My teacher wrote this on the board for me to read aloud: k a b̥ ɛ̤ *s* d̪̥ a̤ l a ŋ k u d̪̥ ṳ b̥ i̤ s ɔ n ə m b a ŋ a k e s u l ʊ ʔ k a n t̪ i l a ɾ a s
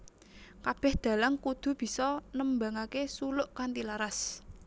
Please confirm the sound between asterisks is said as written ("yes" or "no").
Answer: no